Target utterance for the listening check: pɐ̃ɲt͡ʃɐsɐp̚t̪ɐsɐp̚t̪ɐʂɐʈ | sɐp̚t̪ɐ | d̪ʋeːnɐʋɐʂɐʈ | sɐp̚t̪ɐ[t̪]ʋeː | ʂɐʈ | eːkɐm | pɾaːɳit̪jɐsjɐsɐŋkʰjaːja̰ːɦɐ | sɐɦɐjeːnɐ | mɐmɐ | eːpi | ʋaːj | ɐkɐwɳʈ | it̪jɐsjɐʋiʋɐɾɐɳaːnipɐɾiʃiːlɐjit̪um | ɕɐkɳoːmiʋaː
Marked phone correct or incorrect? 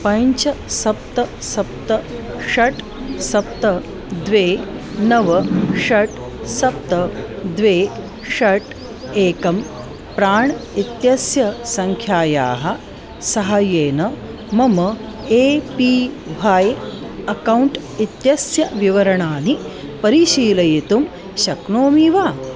incorrect